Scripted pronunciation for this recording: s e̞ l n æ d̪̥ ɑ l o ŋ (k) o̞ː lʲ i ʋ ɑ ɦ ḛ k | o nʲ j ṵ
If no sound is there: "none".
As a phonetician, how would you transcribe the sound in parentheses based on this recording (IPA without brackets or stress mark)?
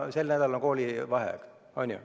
k